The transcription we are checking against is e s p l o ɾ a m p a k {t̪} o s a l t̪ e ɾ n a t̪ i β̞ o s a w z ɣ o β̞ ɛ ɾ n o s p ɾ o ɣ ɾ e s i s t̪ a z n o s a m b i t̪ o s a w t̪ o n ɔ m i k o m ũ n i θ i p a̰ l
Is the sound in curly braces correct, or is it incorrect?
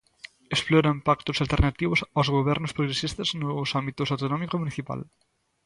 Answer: correct